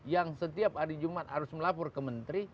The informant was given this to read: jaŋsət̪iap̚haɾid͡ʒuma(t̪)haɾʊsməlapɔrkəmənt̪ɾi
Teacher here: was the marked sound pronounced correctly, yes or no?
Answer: yes